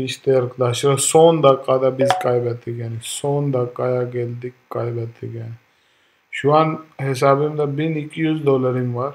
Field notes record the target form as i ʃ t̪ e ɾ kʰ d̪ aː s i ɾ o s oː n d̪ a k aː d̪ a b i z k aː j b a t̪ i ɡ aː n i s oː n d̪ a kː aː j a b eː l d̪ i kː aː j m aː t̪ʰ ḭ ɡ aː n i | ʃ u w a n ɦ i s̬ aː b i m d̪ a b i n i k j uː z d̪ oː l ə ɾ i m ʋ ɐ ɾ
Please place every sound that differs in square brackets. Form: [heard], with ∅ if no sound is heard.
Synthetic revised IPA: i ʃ t̪ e ɾ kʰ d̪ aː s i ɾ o s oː n d̪ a k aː d̪ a b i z k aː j b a t̪ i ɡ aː n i s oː n d̪ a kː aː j a [ɡ] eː l d̪ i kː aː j [b] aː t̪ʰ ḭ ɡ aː n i | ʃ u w a n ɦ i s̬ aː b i m d̪ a b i n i k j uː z d̪ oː l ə ɾ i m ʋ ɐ ɾ